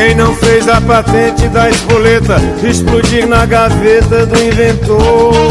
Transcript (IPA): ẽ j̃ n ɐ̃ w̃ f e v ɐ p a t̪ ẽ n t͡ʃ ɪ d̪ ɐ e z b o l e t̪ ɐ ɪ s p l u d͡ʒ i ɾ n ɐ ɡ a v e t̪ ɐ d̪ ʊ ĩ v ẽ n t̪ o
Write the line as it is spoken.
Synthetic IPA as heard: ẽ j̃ n ɐ̃ w̃ f e z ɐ p a t̪ ẽ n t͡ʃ ɪ d̪ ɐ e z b o l e t̪ ɐ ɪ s p l u d͡ʒ i ɾ n ɐ ɡ a v e t̪ ɐ d̪ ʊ ĩ v ẽ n t̪ o